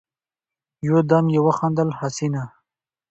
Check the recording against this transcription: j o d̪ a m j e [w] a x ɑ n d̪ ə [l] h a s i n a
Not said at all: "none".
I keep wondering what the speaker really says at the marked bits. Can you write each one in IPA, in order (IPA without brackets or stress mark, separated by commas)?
w, l